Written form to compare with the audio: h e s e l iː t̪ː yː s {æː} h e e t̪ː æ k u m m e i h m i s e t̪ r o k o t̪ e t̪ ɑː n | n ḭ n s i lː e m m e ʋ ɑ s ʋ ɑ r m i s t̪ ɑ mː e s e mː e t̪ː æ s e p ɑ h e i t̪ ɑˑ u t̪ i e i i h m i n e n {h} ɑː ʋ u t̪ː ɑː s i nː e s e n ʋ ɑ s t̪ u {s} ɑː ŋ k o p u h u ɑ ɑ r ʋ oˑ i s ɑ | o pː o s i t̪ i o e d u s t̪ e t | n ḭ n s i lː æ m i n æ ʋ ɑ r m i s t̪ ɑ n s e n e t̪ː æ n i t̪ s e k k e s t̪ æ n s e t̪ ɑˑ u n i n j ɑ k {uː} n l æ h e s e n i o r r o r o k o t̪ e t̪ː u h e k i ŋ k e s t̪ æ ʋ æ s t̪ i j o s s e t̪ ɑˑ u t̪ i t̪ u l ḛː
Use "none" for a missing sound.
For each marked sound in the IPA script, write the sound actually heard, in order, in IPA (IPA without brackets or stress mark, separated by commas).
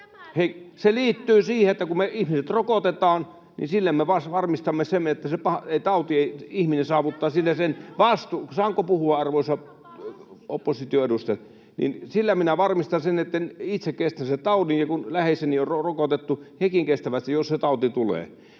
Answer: iː, s, s, u